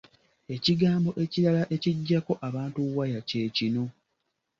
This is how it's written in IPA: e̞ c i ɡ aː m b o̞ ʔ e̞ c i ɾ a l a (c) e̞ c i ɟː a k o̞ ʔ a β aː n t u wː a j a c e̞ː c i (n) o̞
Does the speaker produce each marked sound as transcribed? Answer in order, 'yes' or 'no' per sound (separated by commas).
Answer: no, yes